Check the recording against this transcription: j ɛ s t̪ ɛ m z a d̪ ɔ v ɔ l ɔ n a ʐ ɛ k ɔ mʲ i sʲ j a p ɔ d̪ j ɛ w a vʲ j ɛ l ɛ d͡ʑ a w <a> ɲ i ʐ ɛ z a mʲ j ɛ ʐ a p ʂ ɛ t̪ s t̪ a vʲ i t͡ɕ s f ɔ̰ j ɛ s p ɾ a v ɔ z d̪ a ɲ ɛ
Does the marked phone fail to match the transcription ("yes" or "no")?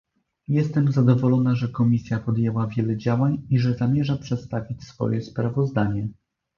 no